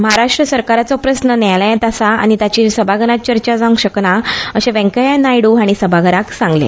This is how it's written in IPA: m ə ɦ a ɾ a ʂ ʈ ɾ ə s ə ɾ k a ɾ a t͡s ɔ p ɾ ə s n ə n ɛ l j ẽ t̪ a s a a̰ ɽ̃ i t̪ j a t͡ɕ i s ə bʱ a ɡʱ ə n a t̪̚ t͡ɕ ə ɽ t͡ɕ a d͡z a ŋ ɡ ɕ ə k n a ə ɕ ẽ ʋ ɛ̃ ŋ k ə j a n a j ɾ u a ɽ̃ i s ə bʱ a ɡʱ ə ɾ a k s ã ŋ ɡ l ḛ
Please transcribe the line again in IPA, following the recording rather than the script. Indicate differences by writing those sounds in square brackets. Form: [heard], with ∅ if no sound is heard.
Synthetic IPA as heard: m ə ɦ a ɾ a ʂ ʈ ɾ ə s ə ɾ k a ɾ a t͡s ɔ p ɾ ə s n ə n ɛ l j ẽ t̪ a s a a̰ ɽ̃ i t̪ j a t͡ɕ i s ə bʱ a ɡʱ ə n a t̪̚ t͡ɕ ə [ɾ] t͡ɕ a d͡z a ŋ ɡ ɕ ə k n a ə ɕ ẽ ʋ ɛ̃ ŋ k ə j a n a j [ɽ] u a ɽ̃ i s ə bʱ a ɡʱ ə ɾ a k s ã ŋ ɡ l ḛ